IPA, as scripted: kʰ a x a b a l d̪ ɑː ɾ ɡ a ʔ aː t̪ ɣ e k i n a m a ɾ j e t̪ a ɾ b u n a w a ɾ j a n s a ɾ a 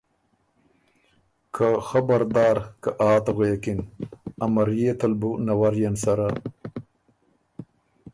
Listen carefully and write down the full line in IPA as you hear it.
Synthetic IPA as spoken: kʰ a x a b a ɾ d̪ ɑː ɾ k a ʔ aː t̪ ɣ e k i n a m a ɾ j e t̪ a l b u n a w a ɾ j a n s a ɾ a